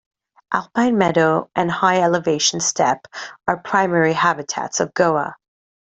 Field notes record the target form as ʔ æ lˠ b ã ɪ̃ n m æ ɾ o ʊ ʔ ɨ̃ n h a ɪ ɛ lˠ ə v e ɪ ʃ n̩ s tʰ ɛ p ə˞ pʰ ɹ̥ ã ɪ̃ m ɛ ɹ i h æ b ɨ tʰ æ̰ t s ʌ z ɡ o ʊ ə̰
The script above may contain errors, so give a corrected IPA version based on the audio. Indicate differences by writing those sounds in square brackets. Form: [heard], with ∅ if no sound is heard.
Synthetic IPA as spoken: ʔ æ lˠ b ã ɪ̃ n m [ɛ] ɾ o ʊ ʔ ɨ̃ n h a ɪ ɛ lˠ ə v e ɪ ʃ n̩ s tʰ ɛ p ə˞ pʰ ɹ̥ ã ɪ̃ m ɛ ɹ i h æ b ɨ tʰ æ̰ t s ʌ [v] ɡ o ʊ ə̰